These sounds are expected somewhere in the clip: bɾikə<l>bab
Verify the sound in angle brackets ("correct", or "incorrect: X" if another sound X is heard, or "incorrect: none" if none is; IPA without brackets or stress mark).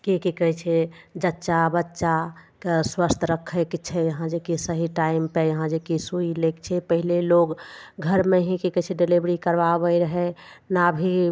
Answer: incorrect: ɾ